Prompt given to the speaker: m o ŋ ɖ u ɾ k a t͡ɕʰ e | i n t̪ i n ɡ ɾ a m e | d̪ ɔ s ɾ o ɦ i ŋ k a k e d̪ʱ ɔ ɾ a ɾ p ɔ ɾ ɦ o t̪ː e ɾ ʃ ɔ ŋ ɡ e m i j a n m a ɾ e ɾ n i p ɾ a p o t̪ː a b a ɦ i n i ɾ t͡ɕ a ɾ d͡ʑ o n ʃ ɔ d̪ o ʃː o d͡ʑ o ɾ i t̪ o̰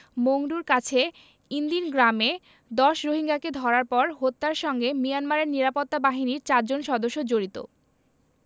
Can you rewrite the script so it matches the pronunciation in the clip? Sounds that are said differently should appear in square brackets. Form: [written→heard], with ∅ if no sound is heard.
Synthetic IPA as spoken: m o ŋ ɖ u ɾ k a t͡ɕʰ e | i n [t̪→d̪] i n ɡ ɾ a m e | d̪ ɔ [s→ʃ] ɾ o ɦ i ŋ [k→ɡ] a k e d̪ʱ ɔ ɾ a ɾ p ɔ ɾ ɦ o t̪ː [e→a] ɾ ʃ ɔ ŋ ɡ e m i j a n m a ɾ e ɾ n i [p→∅] ɾ a p o t̪ː a b a ɦ i n i ɾ t͡ɕ a ɾ d͡ʑ o n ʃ ɔ d̪ o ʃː o d͡ʑ o ɾ i t̪ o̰